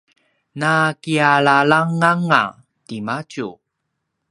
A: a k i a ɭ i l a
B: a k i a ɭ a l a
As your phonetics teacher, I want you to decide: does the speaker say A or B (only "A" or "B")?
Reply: B